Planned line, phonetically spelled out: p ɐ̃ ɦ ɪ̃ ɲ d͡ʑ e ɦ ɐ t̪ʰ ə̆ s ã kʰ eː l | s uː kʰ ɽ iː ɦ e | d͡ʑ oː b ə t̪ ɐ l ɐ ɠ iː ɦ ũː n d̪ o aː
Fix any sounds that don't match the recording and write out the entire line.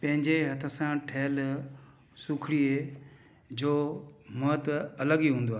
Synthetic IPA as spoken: p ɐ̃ ɦ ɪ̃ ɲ d͡ʑ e ɦ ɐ t̪ʰ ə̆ s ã ʈʰ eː l | s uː kʰ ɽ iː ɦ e | d͡ʑ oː m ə t̪ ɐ l ə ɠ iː ɦ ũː n d̪ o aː